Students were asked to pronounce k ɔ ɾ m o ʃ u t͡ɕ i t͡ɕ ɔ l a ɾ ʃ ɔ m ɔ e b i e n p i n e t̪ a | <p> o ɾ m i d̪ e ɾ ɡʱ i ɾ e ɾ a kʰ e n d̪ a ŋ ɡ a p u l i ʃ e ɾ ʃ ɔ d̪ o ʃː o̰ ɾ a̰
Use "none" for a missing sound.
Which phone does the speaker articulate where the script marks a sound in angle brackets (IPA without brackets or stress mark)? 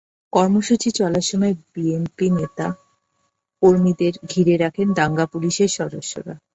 k